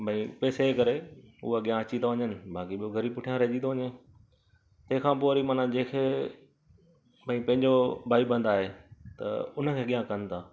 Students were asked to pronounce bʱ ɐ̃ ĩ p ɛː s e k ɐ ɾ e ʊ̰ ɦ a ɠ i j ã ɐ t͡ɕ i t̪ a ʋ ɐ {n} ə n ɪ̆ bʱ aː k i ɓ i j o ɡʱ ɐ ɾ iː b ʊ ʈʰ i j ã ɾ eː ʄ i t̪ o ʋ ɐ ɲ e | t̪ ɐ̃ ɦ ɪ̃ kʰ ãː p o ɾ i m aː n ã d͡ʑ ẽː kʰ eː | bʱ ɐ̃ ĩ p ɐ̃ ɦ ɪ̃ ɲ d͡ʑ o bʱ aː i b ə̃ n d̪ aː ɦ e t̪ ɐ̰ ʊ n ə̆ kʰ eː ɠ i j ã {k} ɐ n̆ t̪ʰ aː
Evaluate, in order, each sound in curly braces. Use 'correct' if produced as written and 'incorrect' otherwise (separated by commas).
incorrect, correct